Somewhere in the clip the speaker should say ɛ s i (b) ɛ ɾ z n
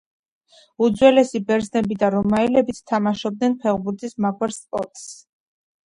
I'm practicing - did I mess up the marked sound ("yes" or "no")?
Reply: no